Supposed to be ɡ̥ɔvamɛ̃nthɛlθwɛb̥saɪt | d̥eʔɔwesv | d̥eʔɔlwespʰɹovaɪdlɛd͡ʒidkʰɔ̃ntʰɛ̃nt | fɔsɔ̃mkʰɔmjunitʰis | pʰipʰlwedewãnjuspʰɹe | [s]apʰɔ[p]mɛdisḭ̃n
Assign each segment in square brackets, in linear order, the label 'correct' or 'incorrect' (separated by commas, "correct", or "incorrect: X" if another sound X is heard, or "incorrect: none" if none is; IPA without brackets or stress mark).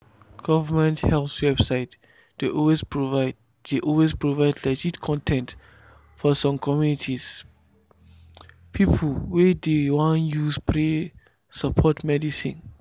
correct, incorrect: t